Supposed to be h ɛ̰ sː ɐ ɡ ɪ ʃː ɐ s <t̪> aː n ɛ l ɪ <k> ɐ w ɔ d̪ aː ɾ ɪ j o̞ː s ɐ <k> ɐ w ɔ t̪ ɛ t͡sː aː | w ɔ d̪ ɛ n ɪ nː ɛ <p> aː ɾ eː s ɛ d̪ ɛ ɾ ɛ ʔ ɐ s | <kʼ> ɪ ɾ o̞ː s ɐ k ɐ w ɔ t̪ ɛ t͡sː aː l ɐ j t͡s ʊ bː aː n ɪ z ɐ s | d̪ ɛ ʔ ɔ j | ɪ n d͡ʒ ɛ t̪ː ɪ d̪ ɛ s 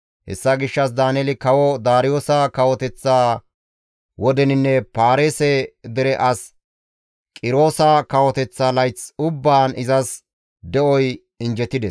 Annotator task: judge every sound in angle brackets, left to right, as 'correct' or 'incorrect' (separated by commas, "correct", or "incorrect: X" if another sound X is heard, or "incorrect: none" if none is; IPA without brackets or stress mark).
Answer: incorrect: d̪, correct, correct, correct, correct